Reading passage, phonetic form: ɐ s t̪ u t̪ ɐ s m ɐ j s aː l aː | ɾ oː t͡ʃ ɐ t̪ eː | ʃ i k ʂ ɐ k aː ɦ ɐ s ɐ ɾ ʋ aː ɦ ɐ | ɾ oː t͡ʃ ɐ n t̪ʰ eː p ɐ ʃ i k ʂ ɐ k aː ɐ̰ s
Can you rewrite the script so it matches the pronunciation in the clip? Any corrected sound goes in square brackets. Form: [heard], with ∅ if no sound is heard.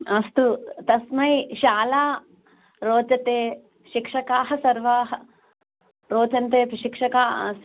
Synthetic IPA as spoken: ɐ s t̪ u t̪ ɐ s m ɐ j [ʃ] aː l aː | ɾ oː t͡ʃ ɐ t̪ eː | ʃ i k ʂ ɐ k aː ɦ ɐ s ɐ ɾ ʋ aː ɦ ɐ | ɾ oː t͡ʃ ɐ n [t̪] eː p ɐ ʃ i k ʂ ɐ k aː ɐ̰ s

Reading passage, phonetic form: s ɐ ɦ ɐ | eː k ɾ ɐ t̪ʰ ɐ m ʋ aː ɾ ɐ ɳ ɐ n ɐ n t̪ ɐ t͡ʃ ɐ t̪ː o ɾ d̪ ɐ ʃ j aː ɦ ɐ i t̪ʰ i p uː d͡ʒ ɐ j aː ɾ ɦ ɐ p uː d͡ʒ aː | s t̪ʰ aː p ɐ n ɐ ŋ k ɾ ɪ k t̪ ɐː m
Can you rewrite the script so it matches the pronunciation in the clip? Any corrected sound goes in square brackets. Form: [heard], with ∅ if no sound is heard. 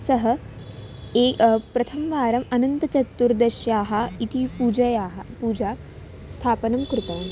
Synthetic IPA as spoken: s ɐ ɦ ɐ | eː [p] ɾ ɐ t̪ʰ ɐ m ʋ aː ɾ ɐ [m] ɐ n ɐ n t̪ ɐ t͡ʃ ɐ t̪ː [u] ɾ d̪ ɐ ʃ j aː ɦ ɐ i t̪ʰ i p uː d͡ʒ ɐ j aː [∅] ɦ ɐ p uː d͡ʒ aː | s t̪ʰ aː p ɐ n ɐ [m] k ɾ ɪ [∅] t̪ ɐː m

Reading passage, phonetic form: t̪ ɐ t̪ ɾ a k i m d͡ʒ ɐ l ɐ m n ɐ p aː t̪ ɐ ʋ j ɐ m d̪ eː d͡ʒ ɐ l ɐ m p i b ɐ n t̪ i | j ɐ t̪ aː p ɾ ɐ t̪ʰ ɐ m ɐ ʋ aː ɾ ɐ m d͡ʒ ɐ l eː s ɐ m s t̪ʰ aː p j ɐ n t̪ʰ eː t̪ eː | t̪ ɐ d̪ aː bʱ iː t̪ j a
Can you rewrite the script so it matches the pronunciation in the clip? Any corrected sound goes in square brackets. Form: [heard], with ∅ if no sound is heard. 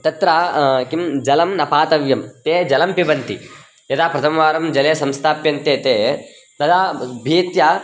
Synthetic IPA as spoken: t̪ ɐ t̪ ɾ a k i m d͡ʒ ɐ l ɐ m n ɐ p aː t̪ ɐ ʋ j ɐ m [t̪] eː d͡ʒ ɐ l ɐ m p i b ɐ n t̪ i | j ɐ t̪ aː p ɾ ɐ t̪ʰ ɐ m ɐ ʋ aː ɾ ɐ m d͡ʒ ɐ l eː s ɐ m s t̪ʰ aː p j ɐ n [t̪] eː t̪ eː | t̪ ɐ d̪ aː bʱ iː t̪ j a

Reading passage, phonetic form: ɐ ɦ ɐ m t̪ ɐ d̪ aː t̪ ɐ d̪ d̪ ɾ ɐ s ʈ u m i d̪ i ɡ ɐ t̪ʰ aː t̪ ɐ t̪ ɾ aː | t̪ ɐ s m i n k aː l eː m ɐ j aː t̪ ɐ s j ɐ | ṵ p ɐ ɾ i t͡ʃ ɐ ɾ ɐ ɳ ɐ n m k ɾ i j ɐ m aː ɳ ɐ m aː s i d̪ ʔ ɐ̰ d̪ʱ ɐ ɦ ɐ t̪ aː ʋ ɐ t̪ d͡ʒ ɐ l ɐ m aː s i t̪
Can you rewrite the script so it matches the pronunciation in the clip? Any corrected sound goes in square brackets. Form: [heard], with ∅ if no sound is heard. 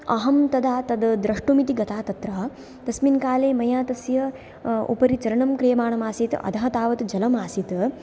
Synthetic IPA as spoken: ɐ ɦ ɐ m t̪ ɐ d̪ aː t̪ ɐ d̪ d̪ ɾ ɐ [ʂ] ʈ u m i [t̪] i ɡ ɐ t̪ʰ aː t̪ ɐ t̪ ɾ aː | t̪ ɐ s m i n k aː l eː m ɐ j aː t̪ ɐ s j ɐ | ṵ p ɐ ɾ i t͡ʃ ɐ ɾ ɐ ɳ ɐ [∅] m k ɾ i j ɐ m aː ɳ ɐ m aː s i [t̪] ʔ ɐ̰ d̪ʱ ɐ ɦ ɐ t̪ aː ʋ ɐ t̪ d͡ʒ ɐ l ɐ m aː s i t̪

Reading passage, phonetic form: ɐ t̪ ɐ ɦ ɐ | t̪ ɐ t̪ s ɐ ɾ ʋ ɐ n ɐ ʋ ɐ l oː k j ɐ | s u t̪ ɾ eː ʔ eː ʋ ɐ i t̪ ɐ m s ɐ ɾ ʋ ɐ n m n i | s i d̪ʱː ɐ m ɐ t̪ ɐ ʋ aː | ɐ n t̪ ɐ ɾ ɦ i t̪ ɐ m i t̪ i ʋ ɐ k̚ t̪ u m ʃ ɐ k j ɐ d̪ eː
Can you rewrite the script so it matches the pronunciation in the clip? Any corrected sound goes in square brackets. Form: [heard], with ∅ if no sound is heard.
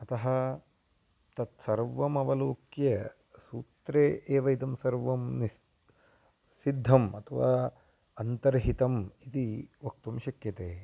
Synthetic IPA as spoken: ɐ t̪ ɐ ɦ ɐ | t̪ ɐ t̪ s ɐ ɾ ʋ ɐ [m] ɐ ʋ ɐ l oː k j ɐ | s [uː] t̪ ɾ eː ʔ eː ʋ ɐ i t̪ ɐ m s ɐ ɾ ʋ ɐ [∅] m n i | s i d̪ʱː ɐ m ɐ [t̪ʰ] ɐ ʋ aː | ɐ n t̪ ɐ ɾ ɦ i t̪ ɐ m i t̪ i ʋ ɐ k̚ t̪ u m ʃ ɐ k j ɐ [t̪] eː

